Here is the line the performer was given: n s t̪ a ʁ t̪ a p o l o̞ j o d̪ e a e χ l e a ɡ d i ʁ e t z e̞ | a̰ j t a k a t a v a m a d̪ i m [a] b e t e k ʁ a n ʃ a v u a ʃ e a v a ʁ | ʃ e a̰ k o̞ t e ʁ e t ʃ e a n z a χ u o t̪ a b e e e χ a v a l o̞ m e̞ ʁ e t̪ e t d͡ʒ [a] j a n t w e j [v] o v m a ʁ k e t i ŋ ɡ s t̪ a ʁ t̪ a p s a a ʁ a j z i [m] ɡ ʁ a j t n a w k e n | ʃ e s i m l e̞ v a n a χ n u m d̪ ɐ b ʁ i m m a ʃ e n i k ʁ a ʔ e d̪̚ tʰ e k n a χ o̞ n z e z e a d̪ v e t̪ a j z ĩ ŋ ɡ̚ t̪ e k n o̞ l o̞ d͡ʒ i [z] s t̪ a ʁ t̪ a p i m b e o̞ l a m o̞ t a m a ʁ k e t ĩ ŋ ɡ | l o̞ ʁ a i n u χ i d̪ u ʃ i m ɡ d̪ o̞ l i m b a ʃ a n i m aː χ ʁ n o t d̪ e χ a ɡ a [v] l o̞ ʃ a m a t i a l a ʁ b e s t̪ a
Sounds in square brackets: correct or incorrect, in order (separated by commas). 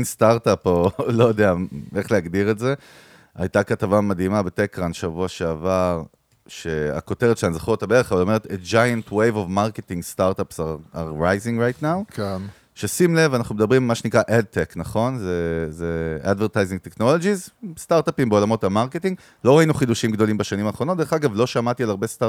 correct, correct, correct, incorrect, correct, correct